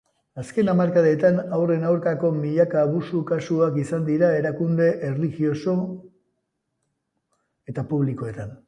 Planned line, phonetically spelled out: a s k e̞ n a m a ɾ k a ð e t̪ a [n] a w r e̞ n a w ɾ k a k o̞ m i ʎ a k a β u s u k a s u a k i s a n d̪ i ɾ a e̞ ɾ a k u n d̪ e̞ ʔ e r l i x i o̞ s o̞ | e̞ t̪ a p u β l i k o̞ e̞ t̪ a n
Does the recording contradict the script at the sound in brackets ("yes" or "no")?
no